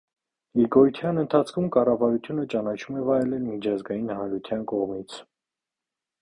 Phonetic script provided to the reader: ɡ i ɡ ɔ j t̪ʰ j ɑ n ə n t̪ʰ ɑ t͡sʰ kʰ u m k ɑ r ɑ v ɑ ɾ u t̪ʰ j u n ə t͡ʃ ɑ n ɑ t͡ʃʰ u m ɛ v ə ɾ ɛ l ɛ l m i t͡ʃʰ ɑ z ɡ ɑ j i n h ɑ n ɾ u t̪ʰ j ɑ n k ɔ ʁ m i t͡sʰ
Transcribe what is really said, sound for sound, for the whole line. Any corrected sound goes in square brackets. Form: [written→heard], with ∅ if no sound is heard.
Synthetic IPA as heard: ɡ i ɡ ɔ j t̪ʰ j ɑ n ə n t̪ʰ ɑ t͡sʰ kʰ u m k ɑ r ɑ v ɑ ɾ u t̪ʰ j u n ə t͡ʃ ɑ n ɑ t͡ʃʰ u m ɛ v [ə→ɑ] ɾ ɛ l ɛ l m i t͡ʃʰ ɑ z ɡ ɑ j i n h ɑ n ɾ u t̪ʰ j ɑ n k ɔ ʁ m i t͡sʰ